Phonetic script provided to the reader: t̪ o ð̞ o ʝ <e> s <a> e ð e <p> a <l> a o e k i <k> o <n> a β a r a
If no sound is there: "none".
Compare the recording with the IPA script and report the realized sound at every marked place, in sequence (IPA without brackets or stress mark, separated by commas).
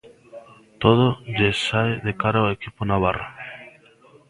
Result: e, a, k, ɾ, p, n